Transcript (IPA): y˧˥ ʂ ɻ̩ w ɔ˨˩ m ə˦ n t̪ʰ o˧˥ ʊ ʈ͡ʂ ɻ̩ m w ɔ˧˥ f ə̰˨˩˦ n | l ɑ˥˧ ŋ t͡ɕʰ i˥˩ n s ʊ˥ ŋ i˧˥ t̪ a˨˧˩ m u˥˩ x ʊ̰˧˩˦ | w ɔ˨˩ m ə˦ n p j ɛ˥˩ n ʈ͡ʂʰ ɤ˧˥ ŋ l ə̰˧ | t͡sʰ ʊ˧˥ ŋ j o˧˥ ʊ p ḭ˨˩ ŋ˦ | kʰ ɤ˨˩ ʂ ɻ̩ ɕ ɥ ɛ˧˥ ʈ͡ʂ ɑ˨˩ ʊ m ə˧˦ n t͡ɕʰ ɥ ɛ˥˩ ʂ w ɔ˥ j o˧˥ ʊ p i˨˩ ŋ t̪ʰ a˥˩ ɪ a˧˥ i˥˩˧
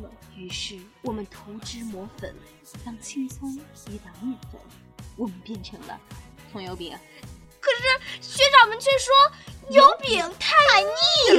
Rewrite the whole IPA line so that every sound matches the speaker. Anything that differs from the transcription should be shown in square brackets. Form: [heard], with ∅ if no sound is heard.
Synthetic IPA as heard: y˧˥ ʂ ɻ̩ w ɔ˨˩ m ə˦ n t̪ʰ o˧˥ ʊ ʈ͡ʂ ɻ̩ m w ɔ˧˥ f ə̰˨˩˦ n | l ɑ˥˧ ŋ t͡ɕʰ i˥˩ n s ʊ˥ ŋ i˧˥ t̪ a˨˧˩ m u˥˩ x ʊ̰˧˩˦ | w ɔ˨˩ m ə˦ n p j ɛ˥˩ n ʈ͡ʂʰ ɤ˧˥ ŋ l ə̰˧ | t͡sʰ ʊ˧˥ ŋ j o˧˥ ʊ p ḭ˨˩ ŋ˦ | kʰ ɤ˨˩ ʂ ɻ̩ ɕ ɥ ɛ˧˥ ʈ͡ʂ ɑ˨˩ ʊ m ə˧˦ n t͡ɕʰ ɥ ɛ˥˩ ʂ w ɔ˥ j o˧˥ ʊ p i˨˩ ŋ t̪ʰ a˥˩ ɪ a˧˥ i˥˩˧